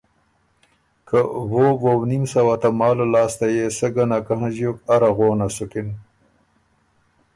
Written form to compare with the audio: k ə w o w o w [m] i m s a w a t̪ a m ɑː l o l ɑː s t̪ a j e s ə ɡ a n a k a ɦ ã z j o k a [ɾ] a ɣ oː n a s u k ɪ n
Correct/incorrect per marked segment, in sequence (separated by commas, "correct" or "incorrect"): incorrect, correct